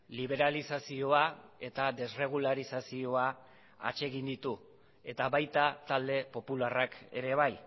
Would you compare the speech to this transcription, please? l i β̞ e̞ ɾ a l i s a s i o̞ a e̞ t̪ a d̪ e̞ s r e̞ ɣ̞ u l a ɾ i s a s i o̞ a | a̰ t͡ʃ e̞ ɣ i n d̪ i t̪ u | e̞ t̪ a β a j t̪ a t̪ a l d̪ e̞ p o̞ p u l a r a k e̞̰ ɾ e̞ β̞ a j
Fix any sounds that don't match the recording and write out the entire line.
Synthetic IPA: l i β̞ e̞ ɾ a l i s a s i o̞ a e̞ t̪ a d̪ e̞ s r e̞ ɣ̞ u l a ɾ i s a s i o̞ a | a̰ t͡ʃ e̞ ɣ i n d̪ i t̪ u | e̞ t̪ a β a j t̪ a t̪ a l d̪ e̞ p o̞ p u l a r a k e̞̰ ɾ e̞ β̞ a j